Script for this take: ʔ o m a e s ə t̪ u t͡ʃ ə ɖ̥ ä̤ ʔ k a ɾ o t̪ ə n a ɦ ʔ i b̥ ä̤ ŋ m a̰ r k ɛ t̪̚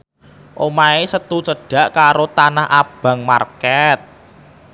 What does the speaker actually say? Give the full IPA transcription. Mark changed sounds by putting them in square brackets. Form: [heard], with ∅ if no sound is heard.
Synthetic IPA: ʔ o m a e s ə t̪ u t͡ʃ ə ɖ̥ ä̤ ʔ k a ɾ o t̪ [a] n a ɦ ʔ [a] b̥ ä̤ ŋ m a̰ r k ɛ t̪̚